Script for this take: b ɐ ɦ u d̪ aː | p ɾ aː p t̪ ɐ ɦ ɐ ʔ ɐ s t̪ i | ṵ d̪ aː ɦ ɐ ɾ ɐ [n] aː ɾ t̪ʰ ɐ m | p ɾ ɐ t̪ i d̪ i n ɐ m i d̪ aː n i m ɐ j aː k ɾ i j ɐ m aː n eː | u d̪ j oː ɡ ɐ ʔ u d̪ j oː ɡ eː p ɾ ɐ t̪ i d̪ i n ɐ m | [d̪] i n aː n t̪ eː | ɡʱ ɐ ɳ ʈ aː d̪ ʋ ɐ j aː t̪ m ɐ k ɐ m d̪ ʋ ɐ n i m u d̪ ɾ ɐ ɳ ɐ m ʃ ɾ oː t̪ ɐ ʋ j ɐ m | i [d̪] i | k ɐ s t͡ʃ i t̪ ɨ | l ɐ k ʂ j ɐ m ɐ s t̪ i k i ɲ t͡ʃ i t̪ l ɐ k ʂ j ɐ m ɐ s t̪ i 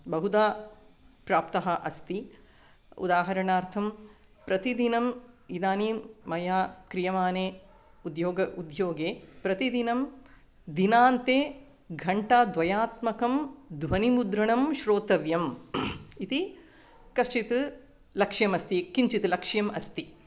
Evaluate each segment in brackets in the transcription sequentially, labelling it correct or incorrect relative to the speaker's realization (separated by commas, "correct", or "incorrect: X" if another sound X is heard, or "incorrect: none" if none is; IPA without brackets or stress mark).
incorrect: ɳ, correct, incorrect: t̪